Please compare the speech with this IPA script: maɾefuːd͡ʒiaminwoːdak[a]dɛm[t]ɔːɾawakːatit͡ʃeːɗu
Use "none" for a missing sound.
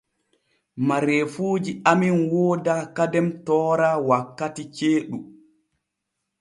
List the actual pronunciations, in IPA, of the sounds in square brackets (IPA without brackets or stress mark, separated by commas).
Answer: a, t